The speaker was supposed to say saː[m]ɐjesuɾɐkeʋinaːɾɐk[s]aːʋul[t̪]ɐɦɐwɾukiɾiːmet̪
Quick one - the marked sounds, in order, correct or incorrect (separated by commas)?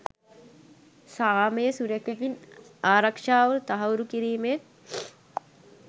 correct, incorrect, correct